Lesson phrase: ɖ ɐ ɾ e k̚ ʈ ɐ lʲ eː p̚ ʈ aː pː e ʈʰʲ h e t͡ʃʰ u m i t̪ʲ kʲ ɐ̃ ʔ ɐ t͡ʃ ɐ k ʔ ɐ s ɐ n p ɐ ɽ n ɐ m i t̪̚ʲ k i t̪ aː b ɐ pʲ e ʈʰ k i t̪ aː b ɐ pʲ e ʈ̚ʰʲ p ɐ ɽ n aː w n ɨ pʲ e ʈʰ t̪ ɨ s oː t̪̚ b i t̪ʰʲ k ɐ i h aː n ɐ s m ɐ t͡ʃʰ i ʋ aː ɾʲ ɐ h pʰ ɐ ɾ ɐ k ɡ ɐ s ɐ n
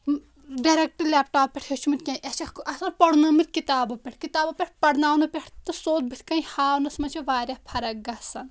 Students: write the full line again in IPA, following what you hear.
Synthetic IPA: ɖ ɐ ɾ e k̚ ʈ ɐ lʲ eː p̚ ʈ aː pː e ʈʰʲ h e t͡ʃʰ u m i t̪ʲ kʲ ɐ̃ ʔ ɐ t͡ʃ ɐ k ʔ ɐ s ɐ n p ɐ ɽ n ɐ m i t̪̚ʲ k i t̪ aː b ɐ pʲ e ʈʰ k i t̪ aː b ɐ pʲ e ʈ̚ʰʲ p ɐ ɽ n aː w n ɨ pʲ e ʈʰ t̪ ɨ s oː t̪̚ b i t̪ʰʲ k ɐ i h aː n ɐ s m ɐ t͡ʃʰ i ʋ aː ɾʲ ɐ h pʰ ɐ ɾ ɐ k ɡ ɐ s ɐ n